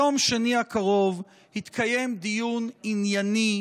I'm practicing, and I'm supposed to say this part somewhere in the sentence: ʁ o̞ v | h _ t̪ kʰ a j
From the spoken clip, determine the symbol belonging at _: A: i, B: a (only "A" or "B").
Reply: A